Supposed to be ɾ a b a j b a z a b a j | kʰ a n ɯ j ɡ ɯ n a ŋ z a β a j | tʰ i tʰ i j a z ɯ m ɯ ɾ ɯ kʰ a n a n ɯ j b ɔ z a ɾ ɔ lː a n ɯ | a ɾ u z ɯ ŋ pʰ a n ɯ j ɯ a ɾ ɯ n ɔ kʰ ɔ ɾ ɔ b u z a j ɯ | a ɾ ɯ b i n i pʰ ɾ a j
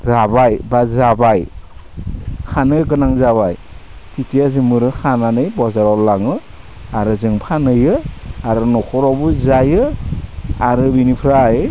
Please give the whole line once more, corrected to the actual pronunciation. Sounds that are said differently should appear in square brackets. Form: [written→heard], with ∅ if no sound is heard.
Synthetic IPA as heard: ɾ a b a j b a z a b a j | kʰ a n ɯ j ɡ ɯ n a ŋ z a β a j | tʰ i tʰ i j a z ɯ m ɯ ɾ ɯ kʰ a n a n ɯ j b ɔ z a ɾ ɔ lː a [n→ŋ] ɯ | a ɾ [u→ɯ] z ɯ ŋ pʰ a n ɯ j ɯ a ɾ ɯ n ɔ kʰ ɔ ɾ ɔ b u z a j ɯ | a ɾ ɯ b i n i pʰ ɾ a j